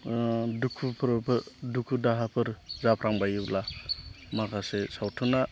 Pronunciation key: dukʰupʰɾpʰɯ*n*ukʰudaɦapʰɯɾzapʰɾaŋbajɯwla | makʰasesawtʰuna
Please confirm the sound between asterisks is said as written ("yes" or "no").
no